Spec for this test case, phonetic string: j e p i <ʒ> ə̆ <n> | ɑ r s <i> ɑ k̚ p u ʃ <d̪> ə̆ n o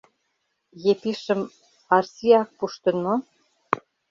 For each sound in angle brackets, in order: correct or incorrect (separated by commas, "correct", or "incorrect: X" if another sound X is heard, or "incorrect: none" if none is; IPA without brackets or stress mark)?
incorrect: ʃ, incorrect: m, correct, incorrect: t̪